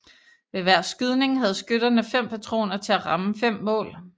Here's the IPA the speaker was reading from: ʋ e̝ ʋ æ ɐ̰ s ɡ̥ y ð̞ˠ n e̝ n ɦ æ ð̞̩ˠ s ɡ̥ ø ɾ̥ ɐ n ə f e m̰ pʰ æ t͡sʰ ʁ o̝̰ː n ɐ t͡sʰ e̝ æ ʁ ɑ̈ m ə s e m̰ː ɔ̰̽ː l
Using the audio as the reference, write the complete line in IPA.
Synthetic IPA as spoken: ʋ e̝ ʋ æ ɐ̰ s ɡ̥ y ð̞ˠ n e̝ ŋ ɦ æ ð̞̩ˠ s ɡ̥ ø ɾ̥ ɐ n ə f e m̰ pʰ æ t͡sʰ ʁ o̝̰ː n ɐ t͡sʰ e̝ æ ʁ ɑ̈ m ə f e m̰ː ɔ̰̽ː l